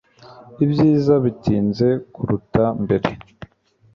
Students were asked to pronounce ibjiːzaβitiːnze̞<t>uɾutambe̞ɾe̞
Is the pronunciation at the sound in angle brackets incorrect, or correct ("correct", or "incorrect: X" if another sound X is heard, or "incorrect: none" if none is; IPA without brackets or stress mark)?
incorrect: k